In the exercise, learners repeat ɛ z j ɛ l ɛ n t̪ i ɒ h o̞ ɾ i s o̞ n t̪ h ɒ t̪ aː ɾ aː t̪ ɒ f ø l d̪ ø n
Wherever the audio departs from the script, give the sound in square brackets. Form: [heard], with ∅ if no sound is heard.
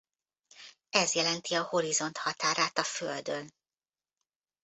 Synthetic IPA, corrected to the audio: ɛ z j ɛ l ɛ n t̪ i ɒ h o̞ ɾ i [z] o̞ n t̪ h ɒ t̪ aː ɾ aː t̪ ɒ f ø l d̪ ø n

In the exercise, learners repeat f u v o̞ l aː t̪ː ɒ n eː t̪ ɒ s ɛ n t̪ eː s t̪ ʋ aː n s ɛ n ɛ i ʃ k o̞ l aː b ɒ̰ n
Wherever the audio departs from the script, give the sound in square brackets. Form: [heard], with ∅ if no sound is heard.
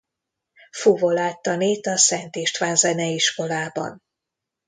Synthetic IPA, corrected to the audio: f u v o̞ l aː t̪ː ɒ n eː t̪ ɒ s ɛ n t̪ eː [ʃ] t̪ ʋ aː n [z] ɛ n ɛ i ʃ k o̞ l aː b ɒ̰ n

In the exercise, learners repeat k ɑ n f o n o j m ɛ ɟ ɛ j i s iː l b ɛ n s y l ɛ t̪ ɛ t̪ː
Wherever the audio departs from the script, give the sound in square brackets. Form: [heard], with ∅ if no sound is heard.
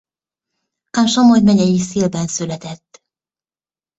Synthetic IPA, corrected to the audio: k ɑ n [ʃ] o [m] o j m ɛ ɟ ɛ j i s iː l b ɛ n s y l ɛ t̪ ɛ t̪ː

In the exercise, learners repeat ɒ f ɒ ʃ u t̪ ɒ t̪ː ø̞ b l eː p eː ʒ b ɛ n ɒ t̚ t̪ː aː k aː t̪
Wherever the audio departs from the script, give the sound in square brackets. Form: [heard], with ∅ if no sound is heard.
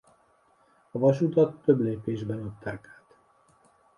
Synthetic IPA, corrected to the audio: ɒ [v] ɒ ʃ u t̪ ɒ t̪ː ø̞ b l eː p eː ʒ b ɛ n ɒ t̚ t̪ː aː k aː t̪

